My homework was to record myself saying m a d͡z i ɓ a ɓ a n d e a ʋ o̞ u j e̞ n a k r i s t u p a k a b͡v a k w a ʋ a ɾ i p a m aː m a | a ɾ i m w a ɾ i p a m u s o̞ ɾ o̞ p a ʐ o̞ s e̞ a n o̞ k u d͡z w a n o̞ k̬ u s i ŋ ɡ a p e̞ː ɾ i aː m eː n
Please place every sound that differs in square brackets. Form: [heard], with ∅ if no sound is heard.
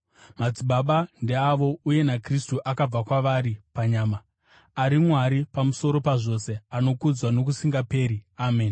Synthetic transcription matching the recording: m a d͡z i ɓ a ɓ a n d e a ʋ o̞ u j e̞ n a k r i s t u [ʔ] a k a b͡v a k w a ʋ a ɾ i p a [ɲ] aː m a | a ɾ i m w a ɾ i p a m u s o̞ ɾ o̞ p a ʐ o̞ s e̞ a n o̞ k u d͡z w a n o̞ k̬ u s i ŋ ɡ a p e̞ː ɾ i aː m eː n